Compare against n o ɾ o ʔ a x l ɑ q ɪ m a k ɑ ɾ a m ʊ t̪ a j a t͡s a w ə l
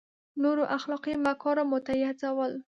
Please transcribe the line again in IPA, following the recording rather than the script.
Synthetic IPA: n o ɾ o ʔ a x l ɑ q i m a k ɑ ɾ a m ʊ t̪ a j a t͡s a w ə l